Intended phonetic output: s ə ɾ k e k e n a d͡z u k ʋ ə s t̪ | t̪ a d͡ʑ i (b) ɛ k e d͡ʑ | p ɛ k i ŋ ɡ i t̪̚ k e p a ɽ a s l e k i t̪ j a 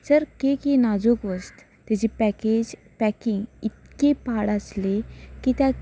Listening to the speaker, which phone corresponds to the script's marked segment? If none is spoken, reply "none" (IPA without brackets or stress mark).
p